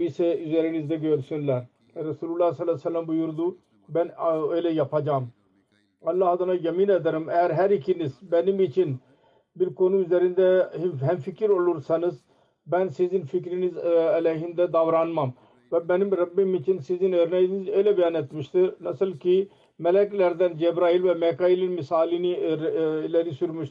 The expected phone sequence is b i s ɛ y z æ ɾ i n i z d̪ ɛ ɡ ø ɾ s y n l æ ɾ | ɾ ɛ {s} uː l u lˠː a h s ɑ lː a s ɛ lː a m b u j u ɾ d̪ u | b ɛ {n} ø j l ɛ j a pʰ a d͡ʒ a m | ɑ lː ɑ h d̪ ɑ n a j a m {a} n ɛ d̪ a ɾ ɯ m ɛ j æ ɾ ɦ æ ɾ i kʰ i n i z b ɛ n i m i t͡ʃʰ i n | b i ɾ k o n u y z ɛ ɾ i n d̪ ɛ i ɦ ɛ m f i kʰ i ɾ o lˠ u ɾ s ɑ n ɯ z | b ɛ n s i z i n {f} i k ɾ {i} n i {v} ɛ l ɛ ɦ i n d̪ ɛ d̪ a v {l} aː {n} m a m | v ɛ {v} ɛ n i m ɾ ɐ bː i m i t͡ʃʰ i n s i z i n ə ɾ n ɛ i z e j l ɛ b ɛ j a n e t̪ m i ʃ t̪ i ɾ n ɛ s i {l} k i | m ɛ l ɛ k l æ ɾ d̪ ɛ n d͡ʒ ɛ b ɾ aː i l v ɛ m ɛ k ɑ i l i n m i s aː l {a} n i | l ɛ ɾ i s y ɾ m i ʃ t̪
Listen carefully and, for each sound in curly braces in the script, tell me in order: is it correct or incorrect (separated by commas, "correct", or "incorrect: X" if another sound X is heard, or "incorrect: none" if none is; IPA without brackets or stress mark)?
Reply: correct, correct, incorrect: i, correct, correct, incorrect: z, incorrect: ɾ, correct, incorrect: b, correct, incorrect: i